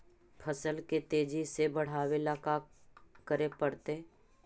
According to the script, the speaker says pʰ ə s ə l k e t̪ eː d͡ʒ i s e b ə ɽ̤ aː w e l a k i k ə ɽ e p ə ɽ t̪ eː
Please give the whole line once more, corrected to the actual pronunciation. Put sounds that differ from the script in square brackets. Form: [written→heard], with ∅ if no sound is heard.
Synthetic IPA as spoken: pʰ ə s ə l k e t̪ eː d͡ʒ i s e b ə ɽ̤ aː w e l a k [i→a] k ə [ɽ→ɾ] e p ə ɽ t̪ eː